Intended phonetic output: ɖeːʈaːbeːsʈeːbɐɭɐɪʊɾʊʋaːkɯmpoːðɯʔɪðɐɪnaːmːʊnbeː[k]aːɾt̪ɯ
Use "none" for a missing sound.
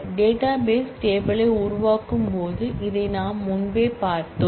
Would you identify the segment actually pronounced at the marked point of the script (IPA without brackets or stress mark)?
p